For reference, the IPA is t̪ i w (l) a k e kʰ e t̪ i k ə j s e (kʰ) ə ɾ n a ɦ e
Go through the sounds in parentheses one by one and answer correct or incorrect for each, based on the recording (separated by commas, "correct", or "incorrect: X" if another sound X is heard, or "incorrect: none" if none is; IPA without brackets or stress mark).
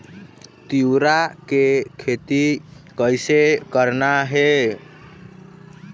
incorrect: ɾ, incorrect: k